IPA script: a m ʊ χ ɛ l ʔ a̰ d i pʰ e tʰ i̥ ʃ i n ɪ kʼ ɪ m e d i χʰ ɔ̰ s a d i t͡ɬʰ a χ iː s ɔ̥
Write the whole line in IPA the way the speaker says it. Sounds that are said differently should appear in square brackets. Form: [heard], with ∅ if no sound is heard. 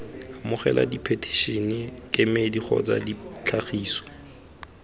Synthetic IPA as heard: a m ʊ χ ɛ l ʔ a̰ d i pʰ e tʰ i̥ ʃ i n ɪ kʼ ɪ m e d i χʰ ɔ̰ [t͡s] a d i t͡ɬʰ a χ iː s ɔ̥